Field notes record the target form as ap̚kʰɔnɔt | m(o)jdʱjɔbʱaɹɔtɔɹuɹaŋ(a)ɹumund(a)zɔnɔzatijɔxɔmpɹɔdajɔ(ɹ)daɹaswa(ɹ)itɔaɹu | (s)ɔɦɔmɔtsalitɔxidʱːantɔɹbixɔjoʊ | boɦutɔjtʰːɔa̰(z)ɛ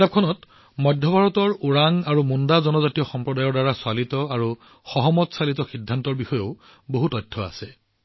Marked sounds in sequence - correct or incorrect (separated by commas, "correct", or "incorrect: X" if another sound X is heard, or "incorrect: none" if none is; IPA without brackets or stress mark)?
incorrect: ɔ, correct, correct, correct, incorrect: l, incorrect: x, incorrect: s